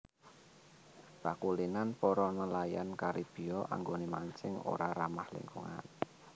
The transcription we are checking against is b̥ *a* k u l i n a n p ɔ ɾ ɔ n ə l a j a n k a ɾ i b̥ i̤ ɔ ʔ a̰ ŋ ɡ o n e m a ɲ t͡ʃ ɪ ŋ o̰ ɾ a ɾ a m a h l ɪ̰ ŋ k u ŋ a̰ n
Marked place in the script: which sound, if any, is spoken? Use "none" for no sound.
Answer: a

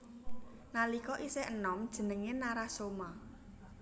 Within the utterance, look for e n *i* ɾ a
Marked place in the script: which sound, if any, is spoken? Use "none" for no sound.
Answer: a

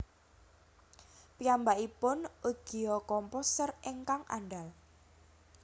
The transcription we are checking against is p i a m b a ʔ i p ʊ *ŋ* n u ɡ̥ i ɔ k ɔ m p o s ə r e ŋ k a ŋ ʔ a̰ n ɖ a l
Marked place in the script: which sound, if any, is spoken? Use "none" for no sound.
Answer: none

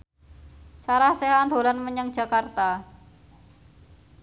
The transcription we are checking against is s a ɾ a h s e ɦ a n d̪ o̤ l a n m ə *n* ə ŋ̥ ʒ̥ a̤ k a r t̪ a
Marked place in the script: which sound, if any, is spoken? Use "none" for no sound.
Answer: ɲ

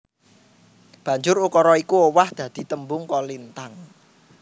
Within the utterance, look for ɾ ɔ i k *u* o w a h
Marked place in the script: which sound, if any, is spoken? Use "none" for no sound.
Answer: u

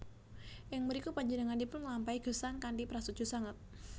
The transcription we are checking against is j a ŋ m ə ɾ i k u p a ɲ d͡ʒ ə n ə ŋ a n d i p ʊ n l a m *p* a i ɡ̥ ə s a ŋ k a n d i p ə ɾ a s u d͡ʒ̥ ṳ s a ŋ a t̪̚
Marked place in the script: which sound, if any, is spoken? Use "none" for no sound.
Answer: p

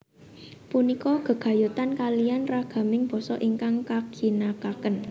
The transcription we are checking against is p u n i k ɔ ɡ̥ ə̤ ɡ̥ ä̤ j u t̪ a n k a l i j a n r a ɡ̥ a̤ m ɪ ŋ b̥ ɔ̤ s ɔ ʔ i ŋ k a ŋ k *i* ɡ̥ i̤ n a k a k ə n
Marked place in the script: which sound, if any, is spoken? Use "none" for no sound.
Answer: a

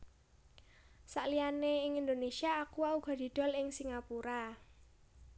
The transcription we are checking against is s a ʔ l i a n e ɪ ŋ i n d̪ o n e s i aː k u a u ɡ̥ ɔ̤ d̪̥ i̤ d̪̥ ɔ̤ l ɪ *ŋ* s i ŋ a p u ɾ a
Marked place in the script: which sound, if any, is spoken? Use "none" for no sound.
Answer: ŋ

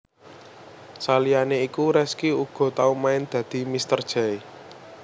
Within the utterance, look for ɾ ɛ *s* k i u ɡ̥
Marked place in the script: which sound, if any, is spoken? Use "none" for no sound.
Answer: s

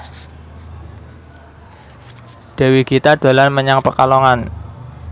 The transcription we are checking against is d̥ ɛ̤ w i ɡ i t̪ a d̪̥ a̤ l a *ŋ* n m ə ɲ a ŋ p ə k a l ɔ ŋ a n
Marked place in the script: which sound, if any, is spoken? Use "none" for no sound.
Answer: none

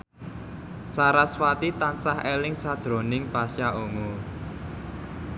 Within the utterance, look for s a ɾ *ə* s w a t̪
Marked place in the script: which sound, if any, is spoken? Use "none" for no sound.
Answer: a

